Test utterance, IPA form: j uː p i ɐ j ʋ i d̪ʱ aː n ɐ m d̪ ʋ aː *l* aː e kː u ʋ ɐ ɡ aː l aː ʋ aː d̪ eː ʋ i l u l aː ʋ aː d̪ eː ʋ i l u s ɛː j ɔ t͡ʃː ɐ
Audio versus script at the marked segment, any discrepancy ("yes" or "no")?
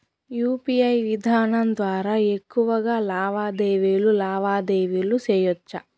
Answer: yes